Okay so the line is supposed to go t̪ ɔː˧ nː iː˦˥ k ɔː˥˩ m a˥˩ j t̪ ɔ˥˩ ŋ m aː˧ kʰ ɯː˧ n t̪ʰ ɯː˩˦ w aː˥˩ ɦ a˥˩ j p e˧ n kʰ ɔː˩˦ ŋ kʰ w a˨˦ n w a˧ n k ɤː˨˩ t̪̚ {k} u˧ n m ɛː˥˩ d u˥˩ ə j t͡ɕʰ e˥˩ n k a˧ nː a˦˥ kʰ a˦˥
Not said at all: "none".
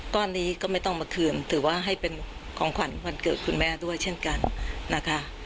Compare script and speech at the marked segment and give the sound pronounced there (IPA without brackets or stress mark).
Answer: kʰ